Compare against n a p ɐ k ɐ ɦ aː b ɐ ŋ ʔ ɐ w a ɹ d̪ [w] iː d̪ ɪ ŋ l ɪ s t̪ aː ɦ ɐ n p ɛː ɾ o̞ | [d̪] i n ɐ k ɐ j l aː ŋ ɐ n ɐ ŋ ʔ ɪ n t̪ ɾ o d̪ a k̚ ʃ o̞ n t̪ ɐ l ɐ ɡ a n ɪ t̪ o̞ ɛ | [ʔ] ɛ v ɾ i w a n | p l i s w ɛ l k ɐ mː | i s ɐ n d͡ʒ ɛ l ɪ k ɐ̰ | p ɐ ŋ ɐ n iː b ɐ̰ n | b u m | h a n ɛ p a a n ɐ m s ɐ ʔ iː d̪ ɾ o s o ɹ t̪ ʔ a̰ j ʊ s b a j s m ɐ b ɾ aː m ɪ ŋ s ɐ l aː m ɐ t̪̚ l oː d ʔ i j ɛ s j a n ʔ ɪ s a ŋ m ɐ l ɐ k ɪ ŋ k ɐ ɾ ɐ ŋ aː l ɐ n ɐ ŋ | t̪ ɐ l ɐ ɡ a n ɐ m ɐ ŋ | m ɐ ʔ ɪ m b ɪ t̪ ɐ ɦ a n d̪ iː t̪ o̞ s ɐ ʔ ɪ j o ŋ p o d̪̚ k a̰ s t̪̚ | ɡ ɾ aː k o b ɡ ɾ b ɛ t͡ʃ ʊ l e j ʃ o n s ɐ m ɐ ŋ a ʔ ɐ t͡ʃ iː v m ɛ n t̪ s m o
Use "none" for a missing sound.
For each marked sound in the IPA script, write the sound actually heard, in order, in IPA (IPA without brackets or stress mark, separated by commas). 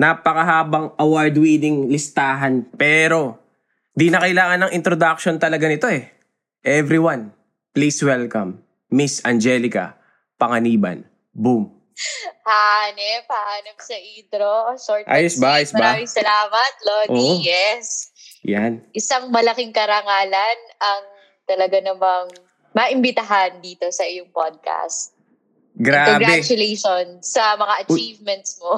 w, d̪, ʔ